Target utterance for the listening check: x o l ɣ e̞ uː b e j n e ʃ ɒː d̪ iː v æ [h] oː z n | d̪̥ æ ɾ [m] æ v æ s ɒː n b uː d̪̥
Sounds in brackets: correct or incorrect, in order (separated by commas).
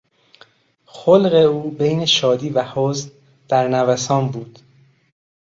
correct, incorrect